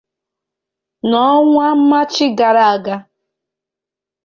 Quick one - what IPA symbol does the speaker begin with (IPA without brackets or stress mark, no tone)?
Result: n